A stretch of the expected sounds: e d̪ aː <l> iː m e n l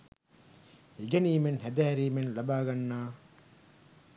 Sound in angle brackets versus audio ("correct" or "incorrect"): incorrect